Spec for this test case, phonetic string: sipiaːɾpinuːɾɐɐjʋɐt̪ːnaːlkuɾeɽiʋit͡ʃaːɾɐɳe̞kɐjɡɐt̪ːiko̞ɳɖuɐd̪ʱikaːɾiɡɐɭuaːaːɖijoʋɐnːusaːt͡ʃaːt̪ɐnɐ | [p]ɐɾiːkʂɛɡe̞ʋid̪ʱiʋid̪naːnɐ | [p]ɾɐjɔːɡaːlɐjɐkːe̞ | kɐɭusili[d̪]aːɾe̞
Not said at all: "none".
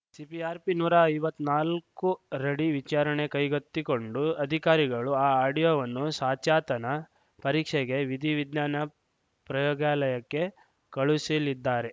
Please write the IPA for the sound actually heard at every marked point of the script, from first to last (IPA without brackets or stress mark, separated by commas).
p, p, d̪ː